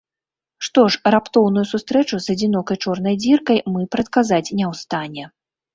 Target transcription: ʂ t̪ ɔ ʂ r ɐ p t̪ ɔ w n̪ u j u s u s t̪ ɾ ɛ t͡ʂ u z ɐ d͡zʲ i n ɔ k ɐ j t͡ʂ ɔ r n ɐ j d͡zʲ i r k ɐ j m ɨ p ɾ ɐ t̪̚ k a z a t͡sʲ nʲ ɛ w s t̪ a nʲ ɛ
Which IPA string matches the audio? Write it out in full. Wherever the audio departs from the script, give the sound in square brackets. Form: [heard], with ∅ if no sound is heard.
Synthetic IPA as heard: ʂ t̪ ɔ ʂ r [a] p t̪ ɔ w n̪ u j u s u s t̪ ɾ ɛ t͡ʂ u z ɐ d͡zʲ i n ɔ k ɐ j t͡ʂ ɔ r n ɐ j d͡zʲ i r k ɐ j m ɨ p ɾ ɐ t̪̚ k a z a t͡sʲ nʲ ɛ w s t̪ a nʲ ɛ